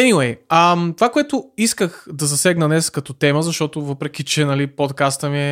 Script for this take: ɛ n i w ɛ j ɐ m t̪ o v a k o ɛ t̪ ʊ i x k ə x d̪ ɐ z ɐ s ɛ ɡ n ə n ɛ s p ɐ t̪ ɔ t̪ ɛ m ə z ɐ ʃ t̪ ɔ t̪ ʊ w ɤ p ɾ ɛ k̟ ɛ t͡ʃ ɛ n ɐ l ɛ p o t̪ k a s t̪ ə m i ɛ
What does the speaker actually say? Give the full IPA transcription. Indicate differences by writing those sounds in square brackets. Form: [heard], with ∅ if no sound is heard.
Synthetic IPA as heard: ɛ n i w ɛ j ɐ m t̪ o v a k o ɛ t̪ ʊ i [s] k ə x d̪ ɐ z ɐ s ɛ ɡ n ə n ɛ s [k] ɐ t̪ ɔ t̪ ɛ m ə z ɐ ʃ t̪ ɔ t̪ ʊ [v] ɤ p ɾ ɛ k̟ [i] t͡ʃ ɛ n ɐ l [i] p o t̪ k a s t̪ ə m i ɛ